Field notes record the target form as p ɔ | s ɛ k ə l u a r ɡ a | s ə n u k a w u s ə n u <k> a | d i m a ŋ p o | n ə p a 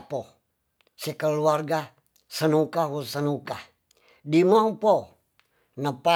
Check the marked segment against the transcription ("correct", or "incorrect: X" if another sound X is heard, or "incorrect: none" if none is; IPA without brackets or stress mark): correct